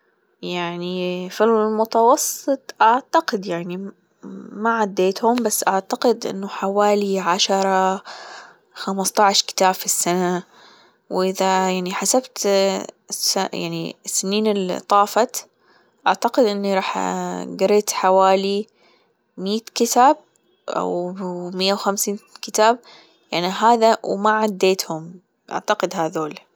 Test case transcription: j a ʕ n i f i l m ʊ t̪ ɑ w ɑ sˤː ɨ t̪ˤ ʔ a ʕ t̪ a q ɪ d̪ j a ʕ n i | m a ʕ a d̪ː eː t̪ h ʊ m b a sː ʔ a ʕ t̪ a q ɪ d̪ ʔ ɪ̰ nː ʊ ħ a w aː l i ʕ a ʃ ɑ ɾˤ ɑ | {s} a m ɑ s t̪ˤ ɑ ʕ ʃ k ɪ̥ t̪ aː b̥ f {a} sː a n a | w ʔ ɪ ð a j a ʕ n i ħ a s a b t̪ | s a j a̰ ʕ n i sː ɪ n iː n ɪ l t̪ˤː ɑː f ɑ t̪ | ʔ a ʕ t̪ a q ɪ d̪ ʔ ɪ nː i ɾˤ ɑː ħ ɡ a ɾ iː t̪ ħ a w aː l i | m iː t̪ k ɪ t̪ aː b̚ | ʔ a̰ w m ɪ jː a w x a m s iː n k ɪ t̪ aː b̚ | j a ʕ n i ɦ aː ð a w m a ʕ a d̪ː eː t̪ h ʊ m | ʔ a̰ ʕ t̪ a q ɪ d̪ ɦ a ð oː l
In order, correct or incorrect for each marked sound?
incorrect: x, incorrect: i

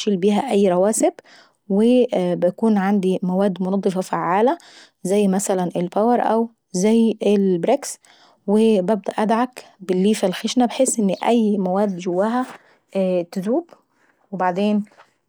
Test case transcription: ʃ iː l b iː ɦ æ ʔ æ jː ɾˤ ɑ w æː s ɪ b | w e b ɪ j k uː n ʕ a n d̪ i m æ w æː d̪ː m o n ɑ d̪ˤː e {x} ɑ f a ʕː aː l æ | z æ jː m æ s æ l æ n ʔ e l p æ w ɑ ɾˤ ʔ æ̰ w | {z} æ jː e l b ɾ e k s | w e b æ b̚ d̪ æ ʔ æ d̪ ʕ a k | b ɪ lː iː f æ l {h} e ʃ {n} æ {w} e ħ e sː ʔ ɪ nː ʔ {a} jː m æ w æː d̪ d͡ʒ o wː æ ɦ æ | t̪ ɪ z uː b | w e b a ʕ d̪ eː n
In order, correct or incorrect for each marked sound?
incorrect: f, correct, incorrect: x, correct, incorrect: b, incorrect: æ

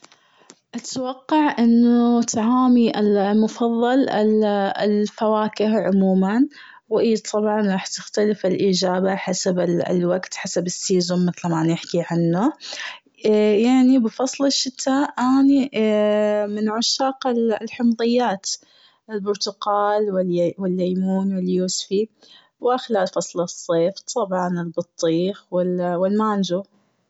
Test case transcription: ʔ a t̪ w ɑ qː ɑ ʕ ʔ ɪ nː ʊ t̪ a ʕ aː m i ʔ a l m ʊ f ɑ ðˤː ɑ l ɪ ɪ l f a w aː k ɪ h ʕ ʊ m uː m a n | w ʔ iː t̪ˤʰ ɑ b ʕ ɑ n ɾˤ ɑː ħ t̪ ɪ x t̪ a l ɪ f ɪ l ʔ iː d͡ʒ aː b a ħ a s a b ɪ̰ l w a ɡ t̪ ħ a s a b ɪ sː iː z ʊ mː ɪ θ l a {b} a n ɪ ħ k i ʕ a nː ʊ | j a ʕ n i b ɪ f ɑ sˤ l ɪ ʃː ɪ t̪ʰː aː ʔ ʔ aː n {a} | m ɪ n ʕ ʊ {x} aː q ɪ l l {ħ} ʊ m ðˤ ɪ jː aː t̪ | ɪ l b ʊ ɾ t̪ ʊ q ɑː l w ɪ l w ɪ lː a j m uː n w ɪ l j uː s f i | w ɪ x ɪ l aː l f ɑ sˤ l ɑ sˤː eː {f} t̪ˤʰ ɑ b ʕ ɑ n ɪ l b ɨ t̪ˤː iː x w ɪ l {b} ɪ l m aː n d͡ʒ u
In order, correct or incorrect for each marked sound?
incorrect: m, incorrect: i, incorrect: ʃ, correct, correct, incorrect: w

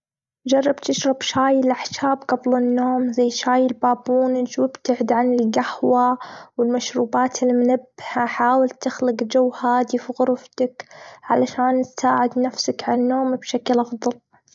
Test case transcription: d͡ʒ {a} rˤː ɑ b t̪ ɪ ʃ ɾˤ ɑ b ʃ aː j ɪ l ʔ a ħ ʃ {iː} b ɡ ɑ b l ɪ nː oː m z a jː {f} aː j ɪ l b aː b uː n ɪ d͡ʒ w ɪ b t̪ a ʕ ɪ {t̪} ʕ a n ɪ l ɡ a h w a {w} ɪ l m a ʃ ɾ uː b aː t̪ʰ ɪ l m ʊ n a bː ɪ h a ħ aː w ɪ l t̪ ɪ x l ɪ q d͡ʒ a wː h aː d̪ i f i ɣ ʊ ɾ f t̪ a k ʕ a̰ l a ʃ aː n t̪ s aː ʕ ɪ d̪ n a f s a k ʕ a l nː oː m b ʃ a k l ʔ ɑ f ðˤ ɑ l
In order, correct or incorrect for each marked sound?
incorrect: ɑ, incorrect: aː, incorrect: ʃ, incorrect: d̪, correct

